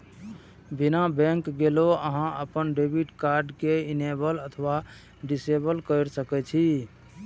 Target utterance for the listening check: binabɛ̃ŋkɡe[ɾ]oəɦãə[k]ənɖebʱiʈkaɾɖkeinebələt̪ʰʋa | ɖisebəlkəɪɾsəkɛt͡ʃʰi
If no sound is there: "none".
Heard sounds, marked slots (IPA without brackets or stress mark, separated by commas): l, p